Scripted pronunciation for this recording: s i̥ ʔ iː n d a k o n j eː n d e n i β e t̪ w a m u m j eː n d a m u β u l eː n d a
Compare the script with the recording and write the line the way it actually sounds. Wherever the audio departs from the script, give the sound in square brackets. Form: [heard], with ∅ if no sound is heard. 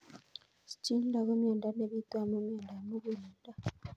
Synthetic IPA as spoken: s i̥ [c] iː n d a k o [m] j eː n d [a] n [e] β [i] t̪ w a m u m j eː n d a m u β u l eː n d a

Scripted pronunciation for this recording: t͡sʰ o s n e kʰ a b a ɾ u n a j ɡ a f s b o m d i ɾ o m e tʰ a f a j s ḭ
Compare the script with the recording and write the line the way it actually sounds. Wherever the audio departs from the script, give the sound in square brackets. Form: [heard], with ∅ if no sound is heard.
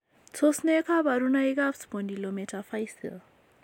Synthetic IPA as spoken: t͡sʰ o s n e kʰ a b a ɾ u n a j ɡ a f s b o [n] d i [l] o m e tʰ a f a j s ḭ

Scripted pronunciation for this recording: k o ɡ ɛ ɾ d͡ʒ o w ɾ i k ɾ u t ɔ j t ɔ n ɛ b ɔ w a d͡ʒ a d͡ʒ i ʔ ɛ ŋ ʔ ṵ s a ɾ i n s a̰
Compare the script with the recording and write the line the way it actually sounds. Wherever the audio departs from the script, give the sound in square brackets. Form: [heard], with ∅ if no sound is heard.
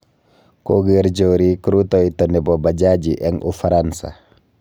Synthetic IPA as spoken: k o ɡ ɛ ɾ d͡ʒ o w ɾ i k ɾ u t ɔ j t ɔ n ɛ b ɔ [b] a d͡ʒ a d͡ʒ i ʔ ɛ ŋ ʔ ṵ [f] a ɾ [a] n s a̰

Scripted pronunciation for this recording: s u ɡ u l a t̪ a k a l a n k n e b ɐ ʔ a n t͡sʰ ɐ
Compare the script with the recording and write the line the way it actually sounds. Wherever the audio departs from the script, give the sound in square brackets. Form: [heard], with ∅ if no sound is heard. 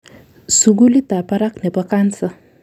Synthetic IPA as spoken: s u ɡ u l [i] t̪ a [p] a [ɾ] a [∅] k n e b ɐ [k] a n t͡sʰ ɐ

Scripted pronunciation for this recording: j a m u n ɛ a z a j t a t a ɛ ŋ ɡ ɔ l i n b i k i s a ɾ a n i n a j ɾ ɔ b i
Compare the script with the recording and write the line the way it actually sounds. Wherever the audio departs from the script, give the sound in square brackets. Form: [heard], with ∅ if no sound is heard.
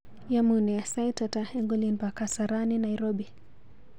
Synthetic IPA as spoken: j a m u n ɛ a [s] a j t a t a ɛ ŋ ɡ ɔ l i n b [a] k [a] s a ɾ a n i n a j ɾ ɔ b i

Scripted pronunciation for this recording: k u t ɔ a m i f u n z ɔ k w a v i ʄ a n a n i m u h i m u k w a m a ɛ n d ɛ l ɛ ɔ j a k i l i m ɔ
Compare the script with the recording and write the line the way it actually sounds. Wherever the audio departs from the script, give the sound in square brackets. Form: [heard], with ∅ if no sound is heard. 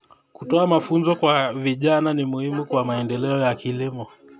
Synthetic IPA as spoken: k u t ɔ a m [a] f u n z ɔ k w a v i ʄ a n a n i m u h i m u k w a m a ɛ n d ɛ l ɛ ɔ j a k i l i m ɔ

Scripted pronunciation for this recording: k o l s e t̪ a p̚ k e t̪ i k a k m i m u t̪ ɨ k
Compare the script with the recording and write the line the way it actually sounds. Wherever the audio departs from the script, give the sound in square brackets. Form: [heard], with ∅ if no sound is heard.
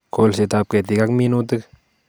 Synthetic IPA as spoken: k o l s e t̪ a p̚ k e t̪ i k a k m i [n] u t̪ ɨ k

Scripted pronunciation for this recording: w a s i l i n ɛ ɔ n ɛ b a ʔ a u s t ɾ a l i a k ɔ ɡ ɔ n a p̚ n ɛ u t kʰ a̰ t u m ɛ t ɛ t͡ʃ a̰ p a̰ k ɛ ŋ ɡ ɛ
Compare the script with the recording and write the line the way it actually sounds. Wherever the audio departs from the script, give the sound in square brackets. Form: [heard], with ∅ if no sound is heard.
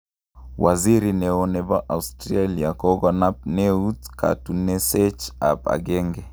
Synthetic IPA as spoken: w a [z] i [ɾ] i n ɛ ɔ n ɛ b a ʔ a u s t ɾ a l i a k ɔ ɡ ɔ n a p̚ n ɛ u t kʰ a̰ t u [n] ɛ [s] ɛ t͡ʃ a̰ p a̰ [ɡ] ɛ ŋ ɡ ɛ

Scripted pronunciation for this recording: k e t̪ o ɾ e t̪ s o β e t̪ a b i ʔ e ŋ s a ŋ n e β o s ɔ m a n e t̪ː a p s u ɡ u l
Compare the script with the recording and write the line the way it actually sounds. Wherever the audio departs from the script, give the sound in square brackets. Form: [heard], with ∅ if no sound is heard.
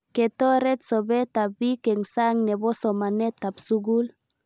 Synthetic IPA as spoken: k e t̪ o ɾ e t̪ s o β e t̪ a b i [k] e ŋ s a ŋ n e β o s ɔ m a n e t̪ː a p s u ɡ u l

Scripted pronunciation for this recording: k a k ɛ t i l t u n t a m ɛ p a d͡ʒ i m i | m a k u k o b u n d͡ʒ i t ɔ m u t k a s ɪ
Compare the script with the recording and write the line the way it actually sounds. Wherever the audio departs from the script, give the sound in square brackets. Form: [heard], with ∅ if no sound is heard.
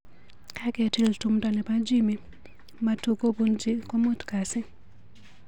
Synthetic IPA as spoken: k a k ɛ t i l t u [m] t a [n] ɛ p a d͡ʒ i m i | m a [t] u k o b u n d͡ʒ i [k] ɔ m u t k a s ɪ

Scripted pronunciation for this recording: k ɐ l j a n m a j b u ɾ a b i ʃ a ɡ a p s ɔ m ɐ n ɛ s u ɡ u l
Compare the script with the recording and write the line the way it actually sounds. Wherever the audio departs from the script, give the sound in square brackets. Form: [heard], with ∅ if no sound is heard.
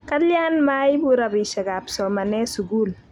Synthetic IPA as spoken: k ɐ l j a n m a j b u ɾ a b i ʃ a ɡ a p s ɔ m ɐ n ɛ s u ɡ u l

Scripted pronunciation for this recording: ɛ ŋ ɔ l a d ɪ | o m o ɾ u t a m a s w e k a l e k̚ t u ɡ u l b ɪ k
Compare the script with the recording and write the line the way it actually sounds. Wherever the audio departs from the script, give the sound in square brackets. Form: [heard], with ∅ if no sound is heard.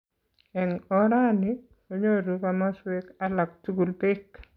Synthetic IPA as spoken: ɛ ŋ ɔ [ɾ] a [n] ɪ | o [ɲ] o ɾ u [k] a m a s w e k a l [a] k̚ t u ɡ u l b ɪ k

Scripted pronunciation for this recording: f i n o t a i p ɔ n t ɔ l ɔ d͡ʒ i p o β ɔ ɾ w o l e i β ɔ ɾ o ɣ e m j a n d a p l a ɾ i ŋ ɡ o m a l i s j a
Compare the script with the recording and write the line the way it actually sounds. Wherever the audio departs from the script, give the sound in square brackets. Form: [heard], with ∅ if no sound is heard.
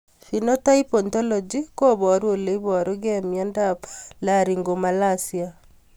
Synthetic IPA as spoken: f i n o t a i p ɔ n t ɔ l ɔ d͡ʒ i [k] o β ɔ ɾ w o l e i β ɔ ɾ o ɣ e m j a n d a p l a ɾ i ŋ ɡ o m a l [a] s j a

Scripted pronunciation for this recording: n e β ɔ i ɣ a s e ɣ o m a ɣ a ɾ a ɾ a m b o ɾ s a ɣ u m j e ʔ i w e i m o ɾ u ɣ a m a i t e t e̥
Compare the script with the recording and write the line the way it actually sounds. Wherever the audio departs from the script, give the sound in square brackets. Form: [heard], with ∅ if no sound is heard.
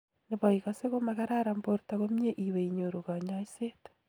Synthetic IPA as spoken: n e β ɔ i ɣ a s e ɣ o m a ɣ a ɾ a ɾ a m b o ɾ [t] a ɣ [o] m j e ʔ i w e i [ɲ] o ɾ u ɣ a [ɲ] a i [s] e t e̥

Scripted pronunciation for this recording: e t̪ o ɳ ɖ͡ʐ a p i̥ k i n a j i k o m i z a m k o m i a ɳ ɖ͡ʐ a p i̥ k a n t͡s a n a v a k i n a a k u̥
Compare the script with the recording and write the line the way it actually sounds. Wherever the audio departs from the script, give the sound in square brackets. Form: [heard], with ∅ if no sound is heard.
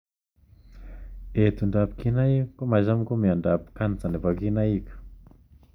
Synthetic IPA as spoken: e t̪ [u] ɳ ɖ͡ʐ a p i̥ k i n a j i k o m [a] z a m k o m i a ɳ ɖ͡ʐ a p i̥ k a n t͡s a n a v a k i n a [i] k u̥

